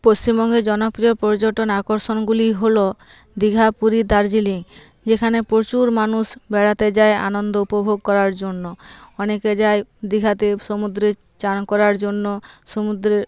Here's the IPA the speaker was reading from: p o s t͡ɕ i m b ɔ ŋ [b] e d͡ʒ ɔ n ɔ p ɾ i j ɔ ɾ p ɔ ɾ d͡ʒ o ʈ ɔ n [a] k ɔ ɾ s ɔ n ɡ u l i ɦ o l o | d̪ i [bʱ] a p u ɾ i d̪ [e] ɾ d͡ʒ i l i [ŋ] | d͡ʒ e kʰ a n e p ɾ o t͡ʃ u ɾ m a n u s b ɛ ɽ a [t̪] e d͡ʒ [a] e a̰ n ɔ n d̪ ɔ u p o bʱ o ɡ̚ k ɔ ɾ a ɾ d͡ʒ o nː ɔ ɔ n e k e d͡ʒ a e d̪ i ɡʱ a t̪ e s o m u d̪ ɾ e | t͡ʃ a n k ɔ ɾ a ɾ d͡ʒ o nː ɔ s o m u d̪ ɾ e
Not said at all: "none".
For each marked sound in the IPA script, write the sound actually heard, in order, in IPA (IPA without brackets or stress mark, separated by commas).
ɡ, a, ɡʱ, a, ŋ, t̪, a